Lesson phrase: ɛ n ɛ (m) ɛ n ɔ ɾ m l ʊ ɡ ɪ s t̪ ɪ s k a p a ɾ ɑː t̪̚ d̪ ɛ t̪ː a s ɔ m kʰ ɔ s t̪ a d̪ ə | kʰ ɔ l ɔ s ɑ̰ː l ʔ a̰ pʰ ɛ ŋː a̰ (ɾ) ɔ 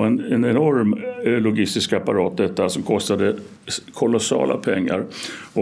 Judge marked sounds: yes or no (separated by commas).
no, yes